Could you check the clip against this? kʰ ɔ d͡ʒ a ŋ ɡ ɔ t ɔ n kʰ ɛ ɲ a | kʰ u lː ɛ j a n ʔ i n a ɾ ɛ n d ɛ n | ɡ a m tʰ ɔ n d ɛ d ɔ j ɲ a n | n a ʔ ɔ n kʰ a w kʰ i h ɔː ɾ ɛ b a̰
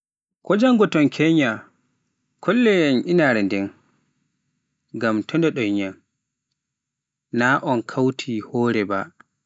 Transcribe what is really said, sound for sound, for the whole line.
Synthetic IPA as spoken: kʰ ɔ d͡ʒ a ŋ ɡ ɔ t ɔ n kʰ ɛ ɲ a | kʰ ɔ lː ɛ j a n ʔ i n a ɾ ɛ n d ɛ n | ɡ a m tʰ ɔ n d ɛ ɗ ɔ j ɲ a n | n a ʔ ɔ n kʰ a w tʰ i h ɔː ɾ ɛ b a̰